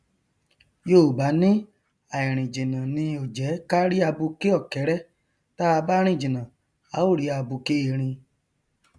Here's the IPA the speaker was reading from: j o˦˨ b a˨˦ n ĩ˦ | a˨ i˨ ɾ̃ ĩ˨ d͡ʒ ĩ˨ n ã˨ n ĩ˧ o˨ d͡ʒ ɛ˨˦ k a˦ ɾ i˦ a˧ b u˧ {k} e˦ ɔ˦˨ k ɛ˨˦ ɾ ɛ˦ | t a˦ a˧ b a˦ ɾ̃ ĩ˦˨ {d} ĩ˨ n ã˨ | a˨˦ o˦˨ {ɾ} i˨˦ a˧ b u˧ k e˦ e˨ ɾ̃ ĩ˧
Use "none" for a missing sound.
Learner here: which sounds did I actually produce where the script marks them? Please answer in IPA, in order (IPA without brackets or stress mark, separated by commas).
k, d͡ʒ, ɾ